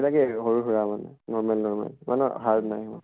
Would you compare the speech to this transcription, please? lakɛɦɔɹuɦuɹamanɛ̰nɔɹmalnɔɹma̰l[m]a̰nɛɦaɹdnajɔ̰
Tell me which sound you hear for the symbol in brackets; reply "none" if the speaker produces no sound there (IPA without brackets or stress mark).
m